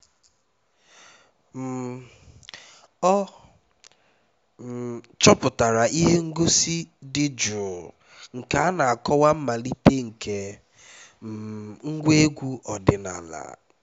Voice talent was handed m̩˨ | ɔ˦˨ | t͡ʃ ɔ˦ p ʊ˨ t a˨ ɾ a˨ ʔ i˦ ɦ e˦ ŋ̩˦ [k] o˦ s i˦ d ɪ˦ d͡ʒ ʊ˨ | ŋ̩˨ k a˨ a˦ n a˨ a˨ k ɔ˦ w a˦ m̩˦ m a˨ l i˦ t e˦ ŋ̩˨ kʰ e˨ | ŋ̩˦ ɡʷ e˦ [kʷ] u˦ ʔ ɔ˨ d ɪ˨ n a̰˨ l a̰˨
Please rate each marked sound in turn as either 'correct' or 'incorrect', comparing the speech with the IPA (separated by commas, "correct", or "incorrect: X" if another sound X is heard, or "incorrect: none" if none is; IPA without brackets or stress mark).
incorrect: ɡ, incorrect: ɡʷ